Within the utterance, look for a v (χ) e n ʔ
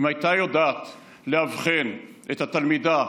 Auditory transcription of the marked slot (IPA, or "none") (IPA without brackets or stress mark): χ